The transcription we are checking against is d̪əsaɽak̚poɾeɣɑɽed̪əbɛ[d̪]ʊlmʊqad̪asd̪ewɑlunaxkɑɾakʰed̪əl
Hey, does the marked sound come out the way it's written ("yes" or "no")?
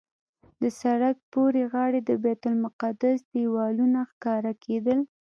no